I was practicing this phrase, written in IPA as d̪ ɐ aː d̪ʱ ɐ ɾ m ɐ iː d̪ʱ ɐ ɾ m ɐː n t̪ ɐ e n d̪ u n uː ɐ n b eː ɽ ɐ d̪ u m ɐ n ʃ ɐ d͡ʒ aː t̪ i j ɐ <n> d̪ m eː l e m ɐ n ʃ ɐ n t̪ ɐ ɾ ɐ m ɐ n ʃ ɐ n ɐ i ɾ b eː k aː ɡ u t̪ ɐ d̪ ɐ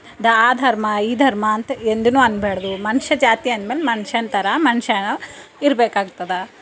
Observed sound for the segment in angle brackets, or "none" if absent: n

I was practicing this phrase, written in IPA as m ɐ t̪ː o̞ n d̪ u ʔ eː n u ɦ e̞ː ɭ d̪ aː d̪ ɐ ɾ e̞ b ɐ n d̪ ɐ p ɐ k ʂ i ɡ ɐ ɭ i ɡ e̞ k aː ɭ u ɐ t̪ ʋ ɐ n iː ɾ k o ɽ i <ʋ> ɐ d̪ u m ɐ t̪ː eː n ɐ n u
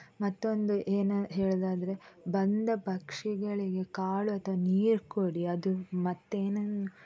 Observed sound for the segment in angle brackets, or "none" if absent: none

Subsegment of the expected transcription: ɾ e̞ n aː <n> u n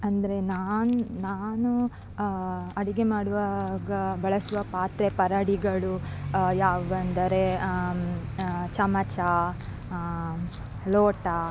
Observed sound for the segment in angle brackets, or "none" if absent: n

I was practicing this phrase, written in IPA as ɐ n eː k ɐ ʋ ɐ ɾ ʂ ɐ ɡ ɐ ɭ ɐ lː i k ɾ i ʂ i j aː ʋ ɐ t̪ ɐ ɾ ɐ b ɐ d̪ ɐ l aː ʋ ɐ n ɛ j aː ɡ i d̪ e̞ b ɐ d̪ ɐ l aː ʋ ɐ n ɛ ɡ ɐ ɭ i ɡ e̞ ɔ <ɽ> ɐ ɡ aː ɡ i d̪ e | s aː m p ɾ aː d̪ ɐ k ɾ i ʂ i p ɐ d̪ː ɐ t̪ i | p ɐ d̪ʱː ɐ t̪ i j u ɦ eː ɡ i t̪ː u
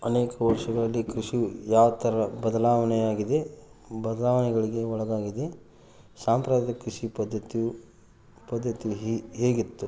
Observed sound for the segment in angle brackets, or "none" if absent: ɭ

